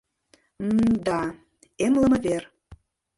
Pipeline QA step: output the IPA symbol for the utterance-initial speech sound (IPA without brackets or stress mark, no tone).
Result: d̪